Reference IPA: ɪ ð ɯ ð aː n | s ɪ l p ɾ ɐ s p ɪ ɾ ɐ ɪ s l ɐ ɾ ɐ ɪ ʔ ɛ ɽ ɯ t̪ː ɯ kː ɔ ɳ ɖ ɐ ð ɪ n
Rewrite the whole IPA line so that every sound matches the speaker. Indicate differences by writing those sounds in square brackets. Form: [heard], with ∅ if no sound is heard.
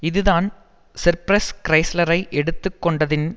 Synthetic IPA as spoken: ɪ ð ɯ ð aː n | s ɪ [ɾ] p ɾ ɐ s [k] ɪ ɾ ɐ ɪ s l ɐ ɾ ɐ ɪ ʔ ɛ ɽ ɯ t̪ː ɯ kː ɔ ɳ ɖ ɐ ð ɪ n